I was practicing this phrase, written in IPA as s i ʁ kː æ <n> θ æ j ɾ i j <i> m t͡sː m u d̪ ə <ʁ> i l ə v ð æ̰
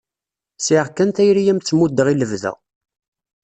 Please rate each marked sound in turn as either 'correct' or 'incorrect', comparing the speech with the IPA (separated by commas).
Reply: correct, incorrect, correct